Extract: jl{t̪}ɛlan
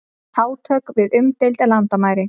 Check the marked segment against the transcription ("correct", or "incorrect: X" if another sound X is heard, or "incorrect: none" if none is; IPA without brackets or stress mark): correct